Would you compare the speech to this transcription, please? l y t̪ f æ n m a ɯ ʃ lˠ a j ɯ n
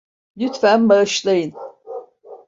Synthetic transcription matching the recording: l y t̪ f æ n b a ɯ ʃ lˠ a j ɯ n